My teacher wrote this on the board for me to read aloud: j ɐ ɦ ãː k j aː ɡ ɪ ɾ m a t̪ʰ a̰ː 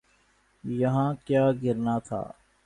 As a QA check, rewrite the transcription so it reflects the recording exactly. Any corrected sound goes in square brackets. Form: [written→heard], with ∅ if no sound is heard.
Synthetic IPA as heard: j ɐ ɦ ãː k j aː ɡ ɪ ɾ [m→n] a t̪ʰ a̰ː